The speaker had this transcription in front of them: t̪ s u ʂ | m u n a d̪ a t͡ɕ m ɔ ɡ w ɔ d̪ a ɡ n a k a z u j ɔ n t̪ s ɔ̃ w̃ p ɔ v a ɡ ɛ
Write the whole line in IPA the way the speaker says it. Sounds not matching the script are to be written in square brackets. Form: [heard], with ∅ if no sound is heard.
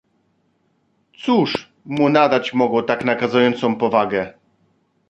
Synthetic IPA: t̪ s u ʂ | m u n a d̪ a t͡ɕ m ɔ ɡ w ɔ [t̪] a [k] n a k a z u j ɔ n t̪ s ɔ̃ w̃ p ɔ v a ɡ ɛ